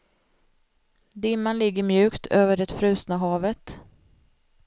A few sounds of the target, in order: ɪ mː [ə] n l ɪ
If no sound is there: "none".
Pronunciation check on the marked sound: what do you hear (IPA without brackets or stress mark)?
a